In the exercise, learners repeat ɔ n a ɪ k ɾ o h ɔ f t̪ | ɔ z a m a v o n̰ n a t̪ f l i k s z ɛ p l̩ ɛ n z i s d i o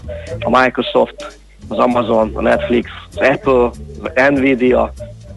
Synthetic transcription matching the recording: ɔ m a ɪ k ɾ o s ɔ f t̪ | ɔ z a m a z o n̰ n ɛ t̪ f l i k s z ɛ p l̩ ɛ n v i d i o